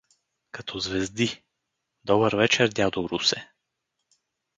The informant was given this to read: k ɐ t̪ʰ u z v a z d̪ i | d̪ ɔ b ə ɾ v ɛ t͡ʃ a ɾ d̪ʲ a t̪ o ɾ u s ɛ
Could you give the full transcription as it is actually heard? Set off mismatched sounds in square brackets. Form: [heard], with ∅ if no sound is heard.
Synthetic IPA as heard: k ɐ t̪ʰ [ɔ] z v [ɛ] z d̪ i | d̪ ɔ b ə ɾ v ɛ t͡ʃ [ɛ] ɾ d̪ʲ a [d̪] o ɾ u s ɛ